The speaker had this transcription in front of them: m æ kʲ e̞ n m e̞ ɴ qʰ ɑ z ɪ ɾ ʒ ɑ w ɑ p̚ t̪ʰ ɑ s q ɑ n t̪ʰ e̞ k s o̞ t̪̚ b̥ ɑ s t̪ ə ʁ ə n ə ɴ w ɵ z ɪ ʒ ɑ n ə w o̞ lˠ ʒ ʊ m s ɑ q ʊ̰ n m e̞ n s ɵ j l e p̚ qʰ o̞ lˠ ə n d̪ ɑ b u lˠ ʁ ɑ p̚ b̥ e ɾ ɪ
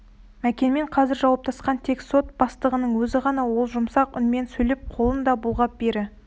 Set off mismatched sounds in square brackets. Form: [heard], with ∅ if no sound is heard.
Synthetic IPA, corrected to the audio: m æ kʲ e̞ n m e̞ ɴ qʰ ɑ z ɪ ɾ ʒ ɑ w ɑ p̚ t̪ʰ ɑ s q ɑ n t̪ʰ e̞ k s o̞ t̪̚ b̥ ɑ s t̪ ə ʁ ə n ə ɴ w ɵ z ɪ [ʁ] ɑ n [ɑ] w o̞ lˠ ʒ ʊ m s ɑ q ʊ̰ n m e̞ n s ɵ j l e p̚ qʰ o̞ lˠ ə n d̪ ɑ b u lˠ ʁ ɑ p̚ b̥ e ɾ ɪ